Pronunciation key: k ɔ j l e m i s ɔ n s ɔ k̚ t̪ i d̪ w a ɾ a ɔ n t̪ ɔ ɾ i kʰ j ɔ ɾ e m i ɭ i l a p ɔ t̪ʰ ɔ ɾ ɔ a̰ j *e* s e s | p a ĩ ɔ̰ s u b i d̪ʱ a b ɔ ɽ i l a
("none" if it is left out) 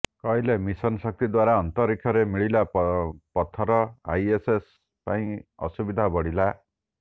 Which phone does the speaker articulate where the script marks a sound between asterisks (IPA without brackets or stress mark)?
e